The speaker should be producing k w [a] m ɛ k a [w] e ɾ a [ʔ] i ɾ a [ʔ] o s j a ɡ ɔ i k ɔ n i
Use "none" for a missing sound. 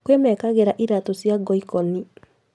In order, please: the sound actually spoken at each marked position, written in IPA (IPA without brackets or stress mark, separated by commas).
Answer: e, ɣ, ʔ, t